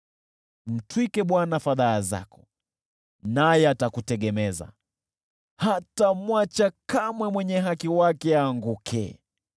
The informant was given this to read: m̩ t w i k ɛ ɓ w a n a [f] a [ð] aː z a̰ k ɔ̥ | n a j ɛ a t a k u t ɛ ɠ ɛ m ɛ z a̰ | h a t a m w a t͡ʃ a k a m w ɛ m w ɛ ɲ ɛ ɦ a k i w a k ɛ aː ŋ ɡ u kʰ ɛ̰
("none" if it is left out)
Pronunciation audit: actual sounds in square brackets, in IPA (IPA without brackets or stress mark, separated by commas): f, ð